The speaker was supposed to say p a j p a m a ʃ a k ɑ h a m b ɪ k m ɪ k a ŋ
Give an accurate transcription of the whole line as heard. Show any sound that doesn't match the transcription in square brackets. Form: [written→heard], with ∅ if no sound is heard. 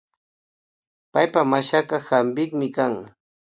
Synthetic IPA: p a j p a m a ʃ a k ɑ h a m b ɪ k m ɪ k a ŋ